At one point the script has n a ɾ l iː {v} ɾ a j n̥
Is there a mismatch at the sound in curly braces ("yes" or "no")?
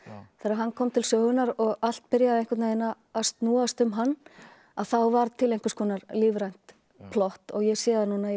no